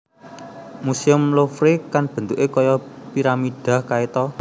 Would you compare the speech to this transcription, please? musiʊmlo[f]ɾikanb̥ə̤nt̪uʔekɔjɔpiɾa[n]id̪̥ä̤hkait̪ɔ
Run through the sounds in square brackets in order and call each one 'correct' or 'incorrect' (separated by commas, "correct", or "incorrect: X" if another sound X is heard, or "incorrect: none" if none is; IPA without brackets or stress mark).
correct, incorrect: m